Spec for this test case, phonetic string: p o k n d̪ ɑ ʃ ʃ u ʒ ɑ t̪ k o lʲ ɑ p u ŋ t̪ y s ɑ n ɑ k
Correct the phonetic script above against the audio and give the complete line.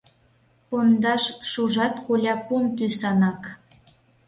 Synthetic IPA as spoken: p o n d̪ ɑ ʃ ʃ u ʒ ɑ t̪ k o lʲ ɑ p u n t̪ y s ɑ n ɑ k